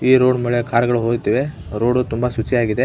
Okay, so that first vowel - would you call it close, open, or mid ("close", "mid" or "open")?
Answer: close